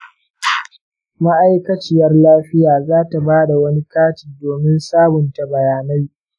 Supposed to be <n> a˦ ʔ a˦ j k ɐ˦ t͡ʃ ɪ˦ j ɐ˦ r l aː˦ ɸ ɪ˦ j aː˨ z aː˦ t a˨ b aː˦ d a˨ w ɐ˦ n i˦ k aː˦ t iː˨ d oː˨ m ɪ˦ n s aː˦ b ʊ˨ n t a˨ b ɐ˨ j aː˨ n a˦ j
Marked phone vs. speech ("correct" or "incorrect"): incorrect